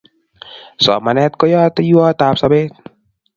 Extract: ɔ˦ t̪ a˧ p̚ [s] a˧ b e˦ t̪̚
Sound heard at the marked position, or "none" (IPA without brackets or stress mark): s